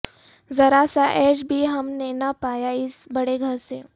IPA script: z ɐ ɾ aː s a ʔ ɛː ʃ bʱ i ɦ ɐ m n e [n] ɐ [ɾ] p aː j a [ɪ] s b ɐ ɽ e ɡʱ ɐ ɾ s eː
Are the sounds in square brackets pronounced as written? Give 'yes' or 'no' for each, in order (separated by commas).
yes, no, yes